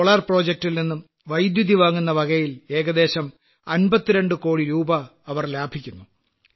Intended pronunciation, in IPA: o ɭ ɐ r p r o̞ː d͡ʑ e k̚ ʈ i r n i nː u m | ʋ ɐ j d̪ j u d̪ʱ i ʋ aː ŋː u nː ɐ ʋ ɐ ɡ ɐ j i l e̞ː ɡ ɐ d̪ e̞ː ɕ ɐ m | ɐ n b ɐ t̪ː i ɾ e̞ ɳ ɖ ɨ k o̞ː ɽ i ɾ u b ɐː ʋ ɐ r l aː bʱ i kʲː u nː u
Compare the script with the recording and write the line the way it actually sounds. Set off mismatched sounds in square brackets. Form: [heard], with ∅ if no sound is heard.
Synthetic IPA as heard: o ɭ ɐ r p r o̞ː d͡ʑ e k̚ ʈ i [l] n i nː u m | ʋ ɐ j d̪ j u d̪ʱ i ʋ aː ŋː u nː ɐ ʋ ɐ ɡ ɐ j i l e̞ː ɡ ɐ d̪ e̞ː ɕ ɐ m | ɐ n b ɐ t̪ː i ɾ e̞ ɳ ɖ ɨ k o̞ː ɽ i ɾ [uː] b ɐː ʋ ɐ r l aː bʱ i kʲː u nː u